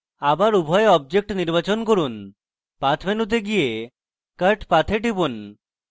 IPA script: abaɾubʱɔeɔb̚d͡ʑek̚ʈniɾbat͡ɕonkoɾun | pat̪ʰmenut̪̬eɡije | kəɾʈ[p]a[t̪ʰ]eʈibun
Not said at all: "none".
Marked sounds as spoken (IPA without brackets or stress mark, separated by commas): p, t̪ʰ